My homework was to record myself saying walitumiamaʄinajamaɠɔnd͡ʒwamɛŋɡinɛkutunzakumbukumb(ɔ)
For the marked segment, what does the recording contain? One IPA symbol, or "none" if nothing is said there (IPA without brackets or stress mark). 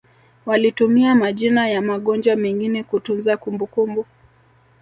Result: u